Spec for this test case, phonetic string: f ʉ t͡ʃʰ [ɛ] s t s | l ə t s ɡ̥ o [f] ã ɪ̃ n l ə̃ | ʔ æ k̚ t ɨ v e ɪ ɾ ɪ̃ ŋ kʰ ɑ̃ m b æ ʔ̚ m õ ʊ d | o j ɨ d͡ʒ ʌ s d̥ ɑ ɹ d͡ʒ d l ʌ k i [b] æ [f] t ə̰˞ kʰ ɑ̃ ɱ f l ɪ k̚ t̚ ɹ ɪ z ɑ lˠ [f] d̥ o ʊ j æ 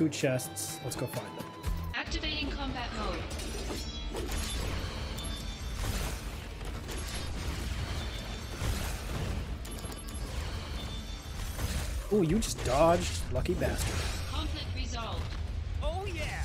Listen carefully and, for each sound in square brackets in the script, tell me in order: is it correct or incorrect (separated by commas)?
correct, correct, correct, incorrect, incorrect